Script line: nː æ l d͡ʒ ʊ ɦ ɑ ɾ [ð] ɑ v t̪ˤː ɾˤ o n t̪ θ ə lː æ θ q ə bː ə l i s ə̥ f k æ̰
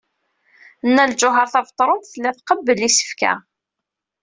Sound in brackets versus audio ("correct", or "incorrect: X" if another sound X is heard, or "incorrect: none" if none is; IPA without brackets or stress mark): incorrect: θ